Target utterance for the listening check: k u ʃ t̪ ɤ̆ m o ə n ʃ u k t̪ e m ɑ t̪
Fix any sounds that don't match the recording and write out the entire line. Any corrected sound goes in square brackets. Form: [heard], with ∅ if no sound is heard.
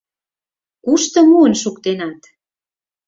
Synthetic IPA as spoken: k u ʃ t̪ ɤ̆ m [u] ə n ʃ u k t̪ e [n] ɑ t̪